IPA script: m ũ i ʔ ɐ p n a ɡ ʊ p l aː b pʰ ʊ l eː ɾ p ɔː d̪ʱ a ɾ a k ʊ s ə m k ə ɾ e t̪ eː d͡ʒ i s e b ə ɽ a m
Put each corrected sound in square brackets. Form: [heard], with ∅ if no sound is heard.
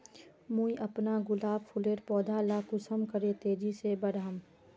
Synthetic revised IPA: m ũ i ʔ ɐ p n a ɡ ʊ [∅] l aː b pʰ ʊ l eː ɾ p ɔː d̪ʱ a [l] a k ʊ s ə m k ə ɾ e t̪ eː d͡ʒ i s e b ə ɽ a m